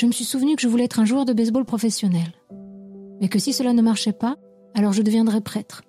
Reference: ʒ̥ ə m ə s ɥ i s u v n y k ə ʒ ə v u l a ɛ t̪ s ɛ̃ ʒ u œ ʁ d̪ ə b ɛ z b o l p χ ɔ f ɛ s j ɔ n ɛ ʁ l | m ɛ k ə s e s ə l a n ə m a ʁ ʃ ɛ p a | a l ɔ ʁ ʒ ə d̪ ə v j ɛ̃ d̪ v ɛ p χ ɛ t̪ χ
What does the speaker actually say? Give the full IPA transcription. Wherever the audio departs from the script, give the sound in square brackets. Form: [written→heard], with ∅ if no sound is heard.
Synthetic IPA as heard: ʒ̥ ə m ə s ɥ i s u v n y k ə ʒ ə v u l [a→ɛ] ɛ t̪ [s→χ] ɛ̃ ʒ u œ ʁ d̪ ə b ɛ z b o l p χ ɔ f ɛ s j ɔ n ɛ [ʁ→∅] l | m ɛ k ə s [e→i] s ə l a n ə m a ʁ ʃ ɛ p a | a l ɔ ʁ ʒ ə d̪ ə v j ɛ̃ d̪ [v→ʁ] ɛ p χ ɛ t̪ χ